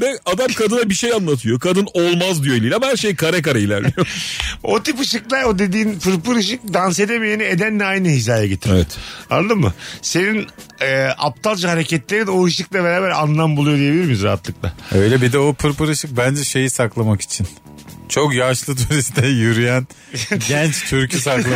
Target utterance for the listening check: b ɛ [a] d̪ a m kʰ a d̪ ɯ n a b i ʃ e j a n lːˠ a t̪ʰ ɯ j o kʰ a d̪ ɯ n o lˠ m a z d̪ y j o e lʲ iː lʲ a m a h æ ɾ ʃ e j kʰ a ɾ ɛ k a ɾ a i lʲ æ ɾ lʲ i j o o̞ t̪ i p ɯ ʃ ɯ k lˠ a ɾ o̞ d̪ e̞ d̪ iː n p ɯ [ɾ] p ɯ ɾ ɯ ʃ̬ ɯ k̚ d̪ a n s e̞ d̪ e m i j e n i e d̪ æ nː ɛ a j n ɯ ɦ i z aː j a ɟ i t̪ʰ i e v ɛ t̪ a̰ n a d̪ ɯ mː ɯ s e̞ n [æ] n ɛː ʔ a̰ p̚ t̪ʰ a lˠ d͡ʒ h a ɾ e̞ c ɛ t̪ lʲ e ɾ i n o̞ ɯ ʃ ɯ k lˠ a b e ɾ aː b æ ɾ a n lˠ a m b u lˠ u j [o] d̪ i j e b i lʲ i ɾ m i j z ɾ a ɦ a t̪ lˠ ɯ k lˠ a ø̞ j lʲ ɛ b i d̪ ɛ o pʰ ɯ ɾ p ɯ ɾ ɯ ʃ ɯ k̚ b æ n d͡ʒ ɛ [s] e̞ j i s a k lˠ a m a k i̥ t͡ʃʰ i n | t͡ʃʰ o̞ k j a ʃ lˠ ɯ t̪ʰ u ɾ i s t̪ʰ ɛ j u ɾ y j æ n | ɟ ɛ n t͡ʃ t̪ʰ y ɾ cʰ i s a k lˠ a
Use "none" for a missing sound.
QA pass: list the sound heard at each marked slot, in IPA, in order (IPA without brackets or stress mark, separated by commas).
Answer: a, ɾ, i, o, ʃ